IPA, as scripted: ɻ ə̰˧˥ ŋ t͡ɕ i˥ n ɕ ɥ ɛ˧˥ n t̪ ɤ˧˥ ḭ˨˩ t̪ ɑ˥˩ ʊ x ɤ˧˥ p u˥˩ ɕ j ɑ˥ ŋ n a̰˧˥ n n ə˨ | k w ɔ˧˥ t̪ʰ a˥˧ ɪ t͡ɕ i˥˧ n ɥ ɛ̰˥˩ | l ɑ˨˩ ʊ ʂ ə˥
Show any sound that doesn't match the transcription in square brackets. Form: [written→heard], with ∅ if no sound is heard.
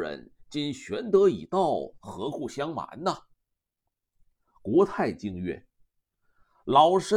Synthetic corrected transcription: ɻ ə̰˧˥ [ŋ→n] t͡ɕ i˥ n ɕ ɥ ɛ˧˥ n t̪ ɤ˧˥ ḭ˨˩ t̪ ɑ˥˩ ʊ x ɤ˧˥ [p→k] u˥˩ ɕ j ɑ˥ ŋ [n→m] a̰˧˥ n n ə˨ | k w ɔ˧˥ t̪ʰ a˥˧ ɪ t͡ɕ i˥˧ [n→ŋ] ɥ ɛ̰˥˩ | l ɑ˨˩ ʊ ʂ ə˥